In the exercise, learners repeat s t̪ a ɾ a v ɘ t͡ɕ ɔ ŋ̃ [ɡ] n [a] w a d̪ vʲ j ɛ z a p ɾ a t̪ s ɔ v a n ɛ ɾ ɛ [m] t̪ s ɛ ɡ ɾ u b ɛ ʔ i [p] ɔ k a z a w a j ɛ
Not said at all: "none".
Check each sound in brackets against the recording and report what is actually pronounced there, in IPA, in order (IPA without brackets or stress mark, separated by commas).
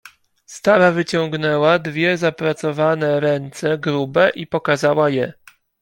ɡ, ɛ, n, p